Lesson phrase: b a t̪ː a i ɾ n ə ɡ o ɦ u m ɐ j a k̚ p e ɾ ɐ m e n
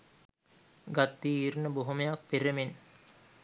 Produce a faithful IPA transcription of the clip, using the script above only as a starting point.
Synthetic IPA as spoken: ɡ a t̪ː i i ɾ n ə b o ɦ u m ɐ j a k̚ p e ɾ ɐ m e n